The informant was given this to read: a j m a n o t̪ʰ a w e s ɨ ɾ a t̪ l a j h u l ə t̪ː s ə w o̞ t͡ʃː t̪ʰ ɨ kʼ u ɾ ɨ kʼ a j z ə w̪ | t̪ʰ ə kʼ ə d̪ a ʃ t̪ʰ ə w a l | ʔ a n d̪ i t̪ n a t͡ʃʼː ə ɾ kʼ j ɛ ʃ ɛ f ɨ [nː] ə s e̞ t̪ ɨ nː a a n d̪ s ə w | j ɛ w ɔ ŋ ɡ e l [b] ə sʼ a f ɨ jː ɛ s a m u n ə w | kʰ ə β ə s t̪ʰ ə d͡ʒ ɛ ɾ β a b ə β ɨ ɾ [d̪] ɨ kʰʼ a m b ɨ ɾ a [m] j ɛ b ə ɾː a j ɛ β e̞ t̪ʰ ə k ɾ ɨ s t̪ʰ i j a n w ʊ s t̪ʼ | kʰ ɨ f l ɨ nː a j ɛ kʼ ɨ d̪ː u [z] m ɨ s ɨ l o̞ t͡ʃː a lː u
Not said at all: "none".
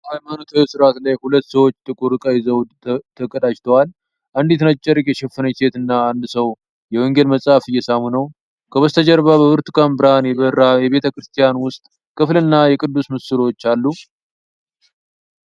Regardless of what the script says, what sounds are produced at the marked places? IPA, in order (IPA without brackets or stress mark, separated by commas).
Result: n, m, t̪, n, s